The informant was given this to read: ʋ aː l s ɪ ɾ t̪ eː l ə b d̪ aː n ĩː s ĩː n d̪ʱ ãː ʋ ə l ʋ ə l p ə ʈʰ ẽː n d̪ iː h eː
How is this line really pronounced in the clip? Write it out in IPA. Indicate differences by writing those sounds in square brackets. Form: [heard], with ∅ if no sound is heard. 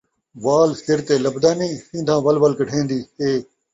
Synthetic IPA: ʋ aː l s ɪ ɾ t̪ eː l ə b d̪ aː n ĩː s ĩː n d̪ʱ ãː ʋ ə l ʋ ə l [k] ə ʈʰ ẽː n d̪ iː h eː